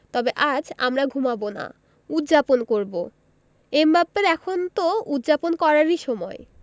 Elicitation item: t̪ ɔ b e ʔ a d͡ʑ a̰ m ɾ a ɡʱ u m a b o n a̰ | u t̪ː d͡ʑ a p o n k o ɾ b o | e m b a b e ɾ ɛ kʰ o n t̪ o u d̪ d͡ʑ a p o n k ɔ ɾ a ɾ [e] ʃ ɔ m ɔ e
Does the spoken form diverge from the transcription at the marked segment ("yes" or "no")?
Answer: yes